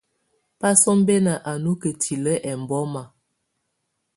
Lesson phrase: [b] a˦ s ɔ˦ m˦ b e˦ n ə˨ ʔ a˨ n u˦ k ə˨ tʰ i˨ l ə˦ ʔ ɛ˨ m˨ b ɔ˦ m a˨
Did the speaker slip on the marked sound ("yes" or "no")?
yes